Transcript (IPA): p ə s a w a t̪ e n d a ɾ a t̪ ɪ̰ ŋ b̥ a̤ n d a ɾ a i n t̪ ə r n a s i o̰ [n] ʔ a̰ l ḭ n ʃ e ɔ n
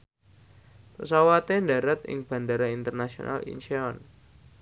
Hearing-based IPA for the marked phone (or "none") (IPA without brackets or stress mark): n